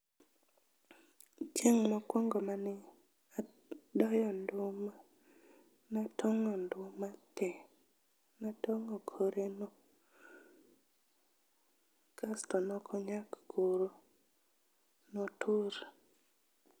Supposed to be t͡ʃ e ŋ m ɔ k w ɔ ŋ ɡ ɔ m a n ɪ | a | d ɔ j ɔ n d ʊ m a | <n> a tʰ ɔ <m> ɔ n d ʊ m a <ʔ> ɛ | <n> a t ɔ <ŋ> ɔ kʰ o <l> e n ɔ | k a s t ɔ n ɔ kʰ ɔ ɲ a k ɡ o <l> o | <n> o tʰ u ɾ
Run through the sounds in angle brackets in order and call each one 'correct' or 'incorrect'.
correct, incorrect: ŋ, incorrect: t, correct, correct, incorrect: ɾ, incorrect: ɾ, correct

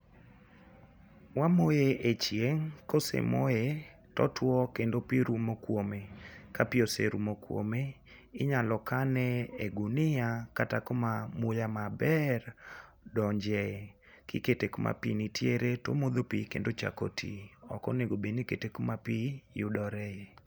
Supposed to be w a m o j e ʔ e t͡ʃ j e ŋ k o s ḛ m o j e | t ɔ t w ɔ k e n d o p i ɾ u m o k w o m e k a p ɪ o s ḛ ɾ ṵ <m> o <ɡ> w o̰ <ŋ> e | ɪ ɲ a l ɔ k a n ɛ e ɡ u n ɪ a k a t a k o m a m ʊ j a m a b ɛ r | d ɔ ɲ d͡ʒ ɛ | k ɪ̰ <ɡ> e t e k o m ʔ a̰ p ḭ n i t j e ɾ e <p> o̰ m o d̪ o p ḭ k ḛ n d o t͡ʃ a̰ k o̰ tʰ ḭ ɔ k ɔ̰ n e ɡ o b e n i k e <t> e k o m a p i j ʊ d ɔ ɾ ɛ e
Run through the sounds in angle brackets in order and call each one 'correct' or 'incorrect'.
correct, incorrect: k, incorrect: m, incorrect: k, incorrect: t, correct

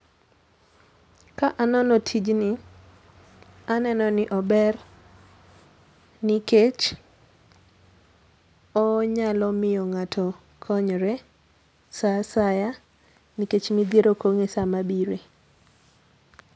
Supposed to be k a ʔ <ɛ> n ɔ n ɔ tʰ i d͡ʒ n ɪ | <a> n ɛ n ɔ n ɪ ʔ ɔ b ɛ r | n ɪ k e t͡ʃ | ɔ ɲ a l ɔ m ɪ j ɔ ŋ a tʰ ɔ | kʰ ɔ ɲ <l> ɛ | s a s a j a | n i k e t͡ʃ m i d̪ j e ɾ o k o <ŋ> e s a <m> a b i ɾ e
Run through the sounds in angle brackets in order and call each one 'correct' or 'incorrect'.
incorrect: a, correct, incorrect: ɾ, correct, correct

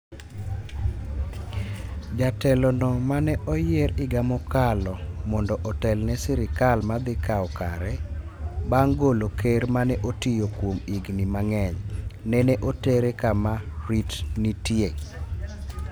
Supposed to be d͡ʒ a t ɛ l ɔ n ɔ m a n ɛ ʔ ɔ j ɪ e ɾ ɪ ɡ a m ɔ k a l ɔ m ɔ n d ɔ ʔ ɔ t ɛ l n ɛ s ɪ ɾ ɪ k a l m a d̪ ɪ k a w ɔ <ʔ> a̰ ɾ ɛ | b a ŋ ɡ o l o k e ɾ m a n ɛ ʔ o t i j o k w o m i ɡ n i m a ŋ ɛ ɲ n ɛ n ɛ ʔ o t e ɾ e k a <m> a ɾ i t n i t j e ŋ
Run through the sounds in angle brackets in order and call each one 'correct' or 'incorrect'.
incorrect: k, correct

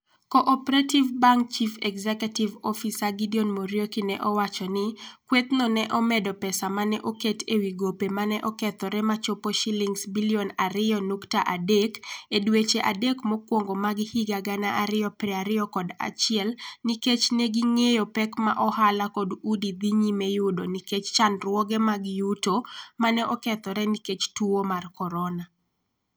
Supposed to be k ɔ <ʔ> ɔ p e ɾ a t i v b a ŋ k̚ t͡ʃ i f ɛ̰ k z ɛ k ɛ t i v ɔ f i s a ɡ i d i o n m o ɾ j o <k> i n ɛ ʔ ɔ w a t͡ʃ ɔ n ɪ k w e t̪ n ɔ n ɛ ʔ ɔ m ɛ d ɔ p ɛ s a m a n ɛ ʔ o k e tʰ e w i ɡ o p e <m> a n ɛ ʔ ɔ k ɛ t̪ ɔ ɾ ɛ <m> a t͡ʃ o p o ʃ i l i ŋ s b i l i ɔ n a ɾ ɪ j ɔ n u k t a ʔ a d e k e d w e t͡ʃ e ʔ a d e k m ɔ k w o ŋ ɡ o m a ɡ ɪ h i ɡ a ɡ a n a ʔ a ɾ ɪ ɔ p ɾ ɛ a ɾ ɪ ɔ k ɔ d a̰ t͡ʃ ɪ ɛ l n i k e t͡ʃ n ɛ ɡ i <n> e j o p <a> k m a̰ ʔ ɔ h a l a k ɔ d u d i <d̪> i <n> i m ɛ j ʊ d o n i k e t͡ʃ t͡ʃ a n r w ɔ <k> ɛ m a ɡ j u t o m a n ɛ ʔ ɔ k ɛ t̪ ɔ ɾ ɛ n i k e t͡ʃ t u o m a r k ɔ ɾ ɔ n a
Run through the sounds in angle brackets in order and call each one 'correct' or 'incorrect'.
correct, correct, correct, correct, incorrect: ŋ, incorrect: ɛ, correct, incorrect: ɲ, incorrect: ɡ

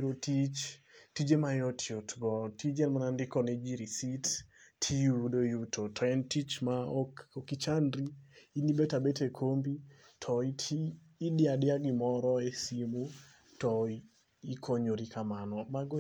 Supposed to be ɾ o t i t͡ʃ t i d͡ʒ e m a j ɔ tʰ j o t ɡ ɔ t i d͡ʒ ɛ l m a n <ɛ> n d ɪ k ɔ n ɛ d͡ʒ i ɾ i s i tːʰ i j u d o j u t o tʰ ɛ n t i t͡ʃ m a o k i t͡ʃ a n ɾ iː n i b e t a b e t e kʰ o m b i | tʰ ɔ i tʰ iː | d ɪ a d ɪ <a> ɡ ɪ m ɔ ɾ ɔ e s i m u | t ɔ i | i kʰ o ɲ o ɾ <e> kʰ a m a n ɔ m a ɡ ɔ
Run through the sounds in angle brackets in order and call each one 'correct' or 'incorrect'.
incorrect: a, correct, incorrect: i

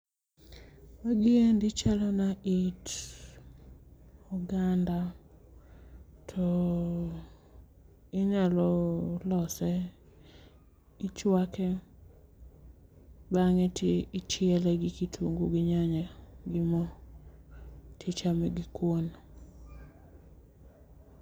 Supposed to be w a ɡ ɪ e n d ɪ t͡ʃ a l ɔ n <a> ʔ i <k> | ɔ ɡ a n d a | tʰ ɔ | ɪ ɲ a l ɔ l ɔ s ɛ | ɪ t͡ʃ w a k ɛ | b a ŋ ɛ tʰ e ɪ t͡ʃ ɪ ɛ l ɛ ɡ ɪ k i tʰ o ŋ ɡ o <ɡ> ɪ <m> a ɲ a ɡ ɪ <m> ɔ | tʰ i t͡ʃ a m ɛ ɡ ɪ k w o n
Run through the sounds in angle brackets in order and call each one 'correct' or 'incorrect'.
correct, incorrect: t, correct, incorrect: ɲ, correct

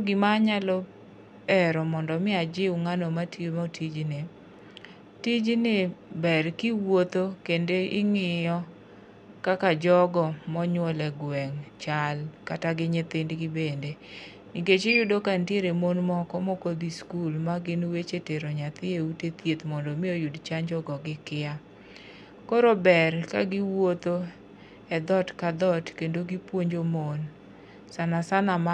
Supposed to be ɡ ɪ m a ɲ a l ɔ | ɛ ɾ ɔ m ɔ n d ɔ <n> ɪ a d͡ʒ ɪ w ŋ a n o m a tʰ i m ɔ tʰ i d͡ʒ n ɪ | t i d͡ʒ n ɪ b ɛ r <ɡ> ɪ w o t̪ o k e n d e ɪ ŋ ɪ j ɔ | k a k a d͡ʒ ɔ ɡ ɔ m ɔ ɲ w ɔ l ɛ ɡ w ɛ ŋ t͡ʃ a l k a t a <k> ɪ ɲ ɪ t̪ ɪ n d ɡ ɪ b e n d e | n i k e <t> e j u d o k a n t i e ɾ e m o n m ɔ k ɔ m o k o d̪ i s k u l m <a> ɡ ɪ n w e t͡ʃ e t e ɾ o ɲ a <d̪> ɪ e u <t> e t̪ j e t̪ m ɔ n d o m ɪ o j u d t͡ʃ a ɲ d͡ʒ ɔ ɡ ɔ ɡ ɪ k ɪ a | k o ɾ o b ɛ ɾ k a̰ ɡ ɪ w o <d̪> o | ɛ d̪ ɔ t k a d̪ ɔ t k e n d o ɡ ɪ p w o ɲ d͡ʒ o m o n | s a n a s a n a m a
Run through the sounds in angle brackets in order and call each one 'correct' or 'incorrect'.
incorrect: m, incorrect: k, incorrect: ɡ, incorrect: t͡ʃ, correct, incorrect: t̪, correct, incorrect: t̪

